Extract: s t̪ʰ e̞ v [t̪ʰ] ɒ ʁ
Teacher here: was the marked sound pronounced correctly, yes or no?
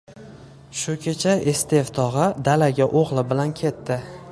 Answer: yes